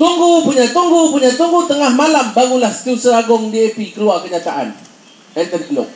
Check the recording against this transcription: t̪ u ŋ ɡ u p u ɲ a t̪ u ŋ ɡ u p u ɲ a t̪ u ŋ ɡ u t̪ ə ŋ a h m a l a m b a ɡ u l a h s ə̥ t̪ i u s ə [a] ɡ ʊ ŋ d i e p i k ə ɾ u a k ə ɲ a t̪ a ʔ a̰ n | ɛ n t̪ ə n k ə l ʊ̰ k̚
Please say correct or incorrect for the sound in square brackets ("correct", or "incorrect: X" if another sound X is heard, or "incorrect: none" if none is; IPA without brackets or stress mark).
correct